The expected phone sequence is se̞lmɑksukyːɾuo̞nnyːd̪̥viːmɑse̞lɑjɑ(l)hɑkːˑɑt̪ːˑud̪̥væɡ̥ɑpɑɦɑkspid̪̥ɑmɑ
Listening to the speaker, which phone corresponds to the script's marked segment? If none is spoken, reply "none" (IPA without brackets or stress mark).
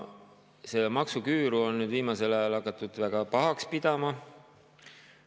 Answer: l